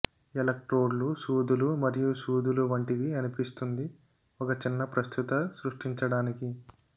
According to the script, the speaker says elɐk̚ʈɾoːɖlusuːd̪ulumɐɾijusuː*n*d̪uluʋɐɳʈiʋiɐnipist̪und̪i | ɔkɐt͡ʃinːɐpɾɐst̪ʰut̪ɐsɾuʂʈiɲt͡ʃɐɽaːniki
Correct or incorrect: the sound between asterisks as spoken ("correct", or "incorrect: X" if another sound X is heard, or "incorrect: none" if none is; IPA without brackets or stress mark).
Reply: incorrect: none